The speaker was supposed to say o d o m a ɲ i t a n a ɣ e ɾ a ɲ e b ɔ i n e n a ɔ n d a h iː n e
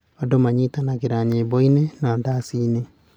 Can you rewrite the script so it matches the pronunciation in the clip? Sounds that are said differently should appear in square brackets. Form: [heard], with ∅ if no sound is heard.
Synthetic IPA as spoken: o d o m a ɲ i t a n a ɣ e ɾ a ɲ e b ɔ i n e n a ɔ n d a [s] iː n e